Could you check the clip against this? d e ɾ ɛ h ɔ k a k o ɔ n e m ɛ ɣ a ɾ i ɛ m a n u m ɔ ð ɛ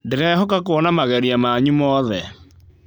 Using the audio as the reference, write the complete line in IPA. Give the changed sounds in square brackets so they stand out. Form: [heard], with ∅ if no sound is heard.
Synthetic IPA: d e ɾ ɛ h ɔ k a k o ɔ n [a] m [a] ɣ [ɛ] ɾ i [a] m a [ɲ] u m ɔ ð ɛ